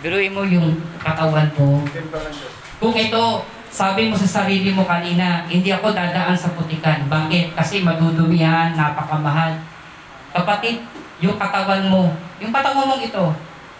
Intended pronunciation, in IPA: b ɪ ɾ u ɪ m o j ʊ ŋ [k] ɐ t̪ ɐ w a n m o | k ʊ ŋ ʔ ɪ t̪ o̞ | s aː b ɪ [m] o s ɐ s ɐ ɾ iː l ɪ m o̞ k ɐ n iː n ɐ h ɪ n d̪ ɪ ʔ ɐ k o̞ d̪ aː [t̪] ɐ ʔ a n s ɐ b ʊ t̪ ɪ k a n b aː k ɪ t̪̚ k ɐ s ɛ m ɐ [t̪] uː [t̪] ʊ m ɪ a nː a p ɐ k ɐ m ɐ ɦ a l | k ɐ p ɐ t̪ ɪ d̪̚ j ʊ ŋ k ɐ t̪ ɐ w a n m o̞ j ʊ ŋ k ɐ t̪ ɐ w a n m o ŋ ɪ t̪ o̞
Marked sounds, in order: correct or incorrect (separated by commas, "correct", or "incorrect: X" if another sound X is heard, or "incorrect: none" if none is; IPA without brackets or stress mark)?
correct, correct, incorrect: d̪, incorrect: d̪, incorrect: d̪